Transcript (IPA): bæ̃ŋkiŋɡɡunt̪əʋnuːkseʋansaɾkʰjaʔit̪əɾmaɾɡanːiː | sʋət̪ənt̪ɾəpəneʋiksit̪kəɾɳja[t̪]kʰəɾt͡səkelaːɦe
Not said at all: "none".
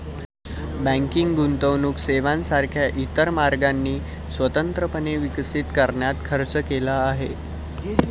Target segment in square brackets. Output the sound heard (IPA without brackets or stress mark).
t̪